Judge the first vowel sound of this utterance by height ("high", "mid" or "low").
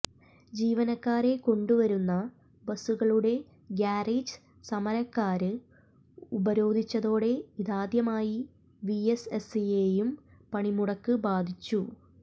high